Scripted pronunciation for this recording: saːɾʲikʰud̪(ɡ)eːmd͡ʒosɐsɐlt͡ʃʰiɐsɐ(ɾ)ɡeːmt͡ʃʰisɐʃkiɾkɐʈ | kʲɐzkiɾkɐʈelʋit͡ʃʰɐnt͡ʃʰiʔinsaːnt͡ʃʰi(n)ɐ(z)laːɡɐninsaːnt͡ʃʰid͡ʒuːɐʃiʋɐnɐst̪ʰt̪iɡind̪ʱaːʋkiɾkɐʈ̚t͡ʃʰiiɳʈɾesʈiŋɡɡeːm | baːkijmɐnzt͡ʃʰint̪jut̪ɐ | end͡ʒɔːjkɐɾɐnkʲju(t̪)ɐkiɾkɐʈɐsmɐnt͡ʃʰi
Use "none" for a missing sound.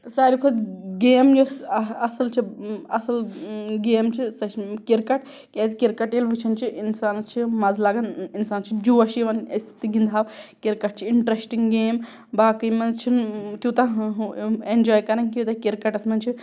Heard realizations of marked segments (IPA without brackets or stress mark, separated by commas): ɡ, l, m, z, t̪